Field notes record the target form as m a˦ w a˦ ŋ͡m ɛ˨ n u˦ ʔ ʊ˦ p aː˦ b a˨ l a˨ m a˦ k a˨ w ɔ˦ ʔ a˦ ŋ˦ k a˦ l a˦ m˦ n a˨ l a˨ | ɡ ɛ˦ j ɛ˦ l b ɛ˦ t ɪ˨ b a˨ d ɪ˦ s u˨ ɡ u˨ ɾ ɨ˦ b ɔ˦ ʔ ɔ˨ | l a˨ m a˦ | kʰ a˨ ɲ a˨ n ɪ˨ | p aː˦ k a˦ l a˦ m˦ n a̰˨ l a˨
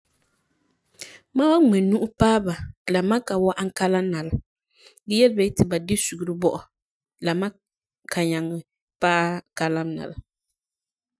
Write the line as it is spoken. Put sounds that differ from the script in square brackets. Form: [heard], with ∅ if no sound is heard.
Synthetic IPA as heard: m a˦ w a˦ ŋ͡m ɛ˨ n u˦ ʔ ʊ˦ p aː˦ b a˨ l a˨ m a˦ k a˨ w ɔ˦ ʔ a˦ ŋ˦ k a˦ l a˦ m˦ n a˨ l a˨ | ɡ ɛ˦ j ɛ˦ l b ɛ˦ t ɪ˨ b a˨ d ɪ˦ s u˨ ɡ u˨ ɾ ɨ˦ b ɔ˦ ʔ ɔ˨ | l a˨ m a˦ | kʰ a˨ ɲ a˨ [ŋ] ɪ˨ | p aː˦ k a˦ l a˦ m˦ n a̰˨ l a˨